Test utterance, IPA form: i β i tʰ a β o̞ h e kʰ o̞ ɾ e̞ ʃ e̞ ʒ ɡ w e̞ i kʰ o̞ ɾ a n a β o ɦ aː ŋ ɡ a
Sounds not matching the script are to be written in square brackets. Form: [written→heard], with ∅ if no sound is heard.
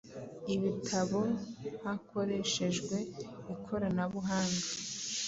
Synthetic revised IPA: i β i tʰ a β o̞ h [e→a] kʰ o̞ ɾ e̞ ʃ e̞ ʒ ɡ w e̞ i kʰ o̞ ɾ a n a β [o→u] ɦ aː ŋ ɡ a